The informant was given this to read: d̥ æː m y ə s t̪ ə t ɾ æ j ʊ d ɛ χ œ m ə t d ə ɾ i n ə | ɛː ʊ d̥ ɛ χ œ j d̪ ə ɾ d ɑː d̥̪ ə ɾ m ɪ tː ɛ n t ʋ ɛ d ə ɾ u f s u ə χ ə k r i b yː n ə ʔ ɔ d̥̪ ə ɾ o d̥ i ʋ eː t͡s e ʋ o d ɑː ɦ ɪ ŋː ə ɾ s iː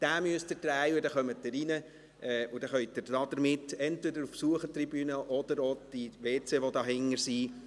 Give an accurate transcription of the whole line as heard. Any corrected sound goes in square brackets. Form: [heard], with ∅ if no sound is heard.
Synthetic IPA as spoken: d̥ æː m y ə s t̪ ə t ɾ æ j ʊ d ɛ χ œ m ə t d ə ɾ i n ə | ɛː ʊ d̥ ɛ χ œ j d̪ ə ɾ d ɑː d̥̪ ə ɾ m ɪ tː ɛ n t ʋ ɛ d ə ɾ u f s u ə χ ə [t] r i b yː n ə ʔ ɔ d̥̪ ə ɾ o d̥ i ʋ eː t͡s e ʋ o d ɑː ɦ ɪ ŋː ə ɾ s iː